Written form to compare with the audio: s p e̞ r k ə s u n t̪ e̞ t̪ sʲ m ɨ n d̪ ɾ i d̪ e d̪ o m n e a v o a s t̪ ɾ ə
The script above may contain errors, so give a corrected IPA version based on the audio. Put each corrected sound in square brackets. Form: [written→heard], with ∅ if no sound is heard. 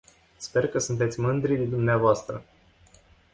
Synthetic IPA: s p e̞ r k ə s u n t̪ e̞ t̪ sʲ m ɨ n d̪ ɾ i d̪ e d̪ [o→u] m n e a v o a s t̪ ɾ ə